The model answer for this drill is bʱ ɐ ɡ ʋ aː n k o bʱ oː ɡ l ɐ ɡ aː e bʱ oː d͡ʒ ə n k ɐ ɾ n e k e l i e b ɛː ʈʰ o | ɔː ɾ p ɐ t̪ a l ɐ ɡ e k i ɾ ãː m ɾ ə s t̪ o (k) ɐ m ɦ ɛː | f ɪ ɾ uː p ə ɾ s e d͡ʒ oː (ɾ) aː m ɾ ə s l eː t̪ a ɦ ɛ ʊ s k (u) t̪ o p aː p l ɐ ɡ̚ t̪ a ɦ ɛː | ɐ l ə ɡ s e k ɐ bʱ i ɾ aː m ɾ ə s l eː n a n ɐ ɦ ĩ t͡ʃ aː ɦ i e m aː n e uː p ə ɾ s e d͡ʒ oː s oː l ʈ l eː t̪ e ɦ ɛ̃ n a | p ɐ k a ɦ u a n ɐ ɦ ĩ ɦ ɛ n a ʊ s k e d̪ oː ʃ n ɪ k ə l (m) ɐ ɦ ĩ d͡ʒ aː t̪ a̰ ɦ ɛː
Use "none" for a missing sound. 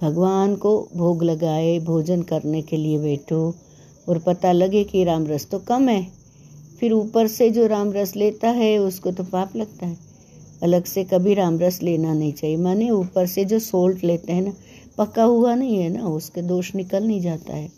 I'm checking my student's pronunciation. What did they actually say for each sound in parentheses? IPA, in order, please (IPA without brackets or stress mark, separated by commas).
k, ɾ, o, n